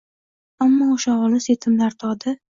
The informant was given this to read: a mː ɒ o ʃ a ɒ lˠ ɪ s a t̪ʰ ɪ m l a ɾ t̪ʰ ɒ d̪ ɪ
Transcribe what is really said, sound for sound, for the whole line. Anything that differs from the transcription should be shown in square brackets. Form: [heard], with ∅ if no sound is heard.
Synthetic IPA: a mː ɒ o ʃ a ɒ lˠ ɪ s [e] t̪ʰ ɪ m l a ɾ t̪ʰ ɒ d̪ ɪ

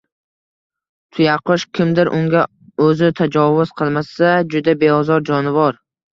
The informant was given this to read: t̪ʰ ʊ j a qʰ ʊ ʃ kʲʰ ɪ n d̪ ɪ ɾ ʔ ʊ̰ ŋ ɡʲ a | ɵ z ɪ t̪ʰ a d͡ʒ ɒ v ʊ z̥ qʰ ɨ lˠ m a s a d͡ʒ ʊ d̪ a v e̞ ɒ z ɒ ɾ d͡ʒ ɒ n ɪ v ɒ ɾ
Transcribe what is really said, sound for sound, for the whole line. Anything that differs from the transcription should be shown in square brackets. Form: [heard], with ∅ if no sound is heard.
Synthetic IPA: t̪ʰ ʊ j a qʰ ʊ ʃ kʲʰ ɪ [m] d̪ ɪ ɾ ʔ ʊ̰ ŋ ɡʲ a | ɵ z ɪ t̪ʰ a d͡ʒ ɒ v ʊ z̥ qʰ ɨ lˠ m a s a d͡ʒ ʊ d̪ a [b] e̞ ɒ z ɒ ɾ d͡ʒ ɒ n ɪ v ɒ ɾ

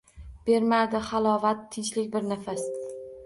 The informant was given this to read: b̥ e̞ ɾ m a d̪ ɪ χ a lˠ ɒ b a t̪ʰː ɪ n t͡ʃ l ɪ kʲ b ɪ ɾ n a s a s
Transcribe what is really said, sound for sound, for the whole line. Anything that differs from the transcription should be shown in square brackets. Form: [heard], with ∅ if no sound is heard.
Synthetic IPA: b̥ e̞ ɾ m a d̪ ɪ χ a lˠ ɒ [v] a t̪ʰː ɪ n t͡ʃ l ɪ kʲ b ɪ ɾ n a [f] a s

